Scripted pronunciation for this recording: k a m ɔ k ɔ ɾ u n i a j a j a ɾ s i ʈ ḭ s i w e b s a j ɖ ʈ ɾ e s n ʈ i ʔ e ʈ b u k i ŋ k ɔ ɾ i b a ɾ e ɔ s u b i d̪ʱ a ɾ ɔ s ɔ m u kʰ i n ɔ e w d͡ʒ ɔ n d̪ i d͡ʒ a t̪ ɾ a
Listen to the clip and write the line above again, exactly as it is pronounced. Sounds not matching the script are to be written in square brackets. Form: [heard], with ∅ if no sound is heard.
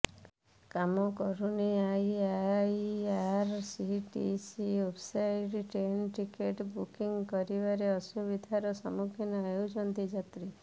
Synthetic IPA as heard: k a m ɔ k ɔ ɾ u n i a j a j a ɾ s i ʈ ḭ s i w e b s a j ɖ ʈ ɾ e [∅] n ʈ i [k] e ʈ b u k i ŋ k ɔ ɾ i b a ɾ e ɔ s u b i d̪ʱ a ɾ ɔ s ɔ m u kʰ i n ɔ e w d͡ʒ ɔ n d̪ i d͡ʒ a t̪ ɾ [i]